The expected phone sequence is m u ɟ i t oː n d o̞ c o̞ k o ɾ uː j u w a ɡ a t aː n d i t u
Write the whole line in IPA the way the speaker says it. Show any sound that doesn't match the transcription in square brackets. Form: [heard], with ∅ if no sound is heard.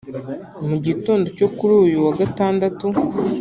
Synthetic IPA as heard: m u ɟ i t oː n d o̞ c o̞ k [u] ɾ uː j u w a ɡ a t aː n d [a] t u